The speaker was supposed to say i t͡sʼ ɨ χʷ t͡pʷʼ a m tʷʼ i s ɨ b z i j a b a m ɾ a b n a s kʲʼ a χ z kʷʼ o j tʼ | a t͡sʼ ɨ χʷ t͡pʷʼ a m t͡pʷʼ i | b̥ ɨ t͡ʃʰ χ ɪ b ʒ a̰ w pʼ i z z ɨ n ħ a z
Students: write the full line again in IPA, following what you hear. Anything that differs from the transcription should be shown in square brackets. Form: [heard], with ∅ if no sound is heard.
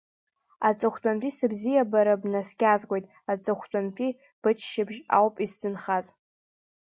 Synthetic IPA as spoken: [a] t͡sʼ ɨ χʷ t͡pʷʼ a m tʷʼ i s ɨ b z i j a b a [∅] ɾ a b n a s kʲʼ a [∅] z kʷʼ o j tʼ | a t͡sʼ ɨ χʷ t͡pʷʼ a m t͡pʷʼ i | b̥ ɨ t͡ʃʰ [ʃ] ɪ b ʒ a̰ w pʼ i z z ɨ n [χ] a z